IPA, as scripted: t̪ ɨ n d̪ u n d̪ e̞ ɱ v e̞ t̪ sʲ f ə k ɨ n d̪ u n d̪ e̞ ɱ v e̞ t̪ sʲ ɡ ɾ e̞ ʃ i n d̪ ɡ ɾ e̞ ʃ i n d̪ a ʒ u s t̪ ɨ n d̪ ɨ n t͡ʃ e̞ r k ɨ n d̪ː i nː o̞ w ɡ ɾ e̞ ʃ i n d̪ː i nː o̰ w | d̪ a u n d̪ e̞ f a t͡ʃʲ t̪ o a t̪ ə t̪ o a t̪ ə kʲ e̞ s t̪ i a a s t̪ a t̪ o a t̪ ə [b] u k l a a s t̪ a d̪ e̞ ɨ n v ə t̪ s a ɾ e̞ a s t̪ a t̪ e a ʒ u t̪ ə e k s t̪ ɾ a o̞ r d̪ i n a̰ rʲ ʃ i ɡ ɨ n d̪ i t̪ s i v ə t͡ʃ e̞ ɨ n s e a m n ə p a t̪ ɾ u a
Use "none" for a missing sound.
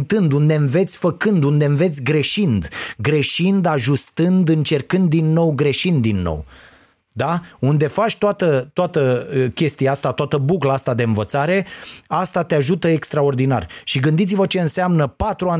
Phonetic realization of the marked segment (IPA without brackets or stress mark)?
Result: b